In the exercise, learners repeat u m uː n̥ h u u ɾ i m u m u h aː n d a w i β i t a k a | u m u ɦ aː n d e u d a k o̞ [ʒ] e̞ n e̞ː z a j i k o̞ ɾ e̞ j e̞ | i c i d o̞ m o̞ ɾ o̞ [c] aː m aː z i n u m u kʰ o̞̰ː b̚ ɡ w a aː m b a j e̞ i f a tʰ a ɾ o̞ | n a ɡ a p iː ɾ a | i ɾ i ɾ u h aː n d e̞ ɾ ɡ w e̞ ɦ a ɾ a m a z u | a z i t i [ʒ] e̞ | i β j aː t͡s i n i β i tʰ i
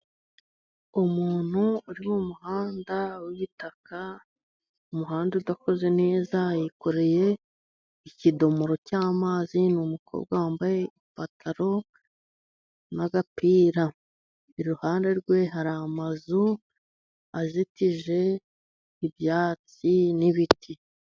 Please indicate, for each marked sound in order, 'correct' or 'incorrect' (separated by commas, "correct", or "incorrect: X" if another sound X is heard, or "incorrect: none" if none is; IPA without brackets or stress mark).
incorrect: z, correct, correct